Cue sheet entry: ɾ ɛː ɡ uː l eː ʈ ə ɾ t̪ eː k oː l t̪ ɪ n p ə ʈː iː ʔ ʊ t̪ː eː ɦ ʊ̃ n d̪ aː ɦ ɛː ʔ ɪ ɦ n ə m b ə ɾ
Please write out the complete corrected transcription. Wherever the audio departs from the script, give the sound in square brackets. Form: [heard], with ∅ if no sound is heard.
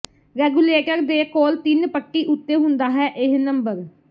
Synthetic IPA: ɾ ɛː ɡ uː l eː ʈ ə ɾ [d̪] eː k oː l t̪ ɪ n p ə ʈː iː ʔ ʊ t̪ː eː ɦ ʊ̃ n d̪ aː ɦ ɛː ʔ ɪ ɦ n ə m b ə ɾ

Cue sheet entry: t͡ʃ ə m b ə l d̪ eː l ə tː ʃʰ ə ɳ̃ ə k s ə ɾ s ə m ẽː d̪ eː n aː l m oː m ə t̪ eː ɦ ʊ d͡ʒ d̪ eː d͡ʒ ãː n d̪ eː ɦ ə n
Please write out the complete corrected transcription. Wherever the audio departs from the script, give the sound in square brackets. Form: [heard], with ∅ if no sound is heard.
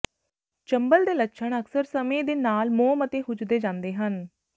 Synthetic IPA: t͡ʃ ə m b ə l d̪ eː l ə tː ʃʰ ə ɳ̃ ə k s ə ɾ s ə m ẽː d̪ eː n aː l m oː m ə t̪ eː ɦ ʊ d͡ʒ d̪ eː d͡ʒ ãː n d̪ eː ɦ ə n

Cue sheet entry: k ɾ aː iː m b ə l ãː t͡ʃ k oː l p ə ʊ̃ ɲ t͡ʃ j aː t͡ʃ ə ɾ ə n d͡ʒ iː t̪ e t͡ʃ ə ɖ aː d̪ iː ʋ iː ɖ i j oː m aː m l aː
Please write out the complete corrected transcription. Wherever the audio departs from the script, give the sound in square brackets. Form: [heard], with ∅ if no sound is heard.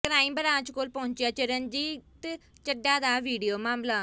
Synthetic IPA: k ɾ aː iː m b ə [ɾ] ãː t͡ʃ k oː l p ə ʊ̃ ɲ t͡ʃ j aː t͡ʃ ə ɾ ə n d͡ʒ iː t̪ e t͡ʃ ə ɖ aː d̪ [aː] ʋ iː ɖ i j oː m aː m l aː

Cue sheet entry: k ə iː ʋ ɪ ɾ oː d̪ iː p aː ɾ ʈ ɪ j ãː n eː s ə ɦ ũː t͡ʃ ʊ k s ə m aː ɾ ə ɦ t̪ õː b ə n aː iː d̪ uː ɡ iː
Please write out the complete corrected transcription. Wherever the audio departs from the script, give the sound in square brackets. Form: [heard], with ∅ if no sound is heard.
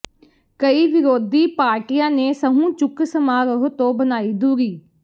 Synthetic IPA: k ə iː ʋ ɪ ɾ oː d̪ iː p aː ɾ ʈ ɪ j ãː n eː s ə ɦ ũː t͡ʃ ʊ k s ə m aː ɾ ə ɦ t̪ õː b ə n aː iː d̪ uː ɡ iː

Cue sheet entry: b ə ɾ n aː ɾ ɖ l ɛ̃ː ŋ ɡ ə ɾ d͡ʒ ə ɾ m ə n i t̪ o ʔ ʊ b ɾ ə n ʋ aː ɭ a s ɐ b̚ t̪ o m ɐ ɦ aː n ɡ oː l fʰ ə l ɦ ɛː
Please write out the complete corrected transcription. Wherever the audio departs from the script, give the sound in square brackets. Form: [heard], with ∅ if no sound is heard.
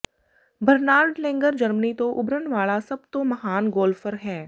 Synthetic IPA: b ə ɾ n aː ɾ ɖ l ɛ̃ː ŋ ɡ ə ɾ d͡ʒ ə ɾ m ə n i t̪ o ʔ ʊ b ɾ ə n ʋ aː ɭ a s ɐ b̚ t̪ o m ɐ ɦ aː n ɡ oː l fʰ ə [ɾ] ɦ ɛː

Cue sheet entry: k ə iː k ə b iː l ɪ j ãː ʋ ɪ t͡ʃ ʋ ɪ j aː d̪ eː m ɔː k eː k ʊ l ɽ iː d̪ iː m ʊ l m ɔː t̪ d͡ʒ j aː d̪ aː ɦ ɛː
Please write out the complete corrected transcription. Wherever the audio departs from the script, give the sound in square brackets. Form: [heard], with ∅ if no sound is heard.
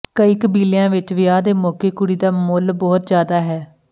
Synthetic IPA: k ə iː k ə b iː l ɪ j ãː ʋ ɪ t͡ʃ ʋ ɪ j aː d̪ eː m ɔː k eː k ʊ [∅] ɽ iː d̪ [aː] m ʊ l [b] ɔː t̪ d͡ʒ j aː d̪ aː ɦ ɛː

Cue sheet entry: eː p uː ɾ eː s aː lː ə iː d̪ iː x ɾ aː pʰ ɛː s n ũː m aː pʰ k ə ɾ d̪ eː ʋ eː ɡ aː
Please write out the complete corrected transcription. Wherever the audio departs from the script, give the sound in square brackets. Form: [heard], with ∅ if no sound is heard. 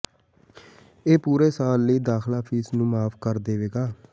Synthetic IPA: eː p uː ɾ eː s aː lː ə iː d̪ [aː] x [l] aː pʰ [iː] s n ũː m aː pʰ k ə ɾ d̪ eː ʋ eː ɡ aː

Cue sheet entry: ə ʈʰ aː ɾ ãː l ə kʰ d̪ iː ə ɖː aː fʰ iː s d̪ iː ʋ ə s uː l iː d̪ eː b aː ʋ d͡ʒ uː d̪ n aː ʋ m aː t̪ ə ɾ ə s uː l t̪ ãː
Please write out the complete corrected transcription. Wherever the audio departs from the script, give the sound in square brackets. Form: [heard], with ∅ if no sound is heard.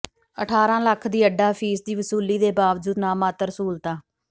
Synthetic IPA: ə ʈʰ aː ɾ ãː l ə kʰ d̪ iː ə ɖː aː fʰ iː s d̪ iː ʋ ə s uː l iː d̪ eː b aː ʋ d͡ʒ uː d̪ n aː [∅] m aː t̪ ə ɾ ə s uː l t̪ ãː

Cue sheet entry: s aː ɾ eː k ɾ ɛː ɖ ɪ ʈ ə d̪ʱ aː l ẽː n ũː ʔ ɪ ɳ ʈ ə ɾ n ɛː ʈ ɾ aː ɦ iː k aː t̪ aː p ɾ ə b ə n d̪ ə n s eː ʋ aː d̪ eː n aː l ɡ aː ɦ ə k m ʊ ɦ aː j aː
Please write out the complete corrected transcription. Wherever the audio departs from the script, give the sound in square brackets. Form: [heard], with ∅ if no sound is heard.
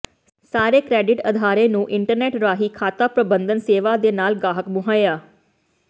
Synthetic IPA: s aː ɾ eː k ɾ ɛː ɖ ɪ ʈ ə d̪ʱ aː [ɾ] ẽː n ũː ʔ ɪ ɳ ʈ ə ɾ n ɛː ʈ ɾ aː ɦ iː [kʰ] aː t̪ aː p ɾ ə b ə n d̪ ə n s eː ʋ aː d̪ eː n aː l ɡ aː ɦ ə k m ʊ ɦ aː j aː

